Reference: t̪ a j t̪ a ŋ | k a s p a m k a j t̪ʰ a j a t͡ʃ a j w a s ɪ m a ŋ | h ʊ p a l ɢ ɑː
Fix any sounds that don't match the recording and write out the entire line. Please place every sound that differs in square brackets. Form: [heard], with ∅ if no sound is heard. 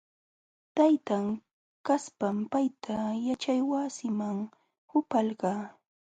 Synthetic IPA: t̪ a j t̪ a ŋ | k a s p a m [p] a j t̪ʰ a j a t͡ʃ a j w a s ɪ m a ŋ | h ʊ p a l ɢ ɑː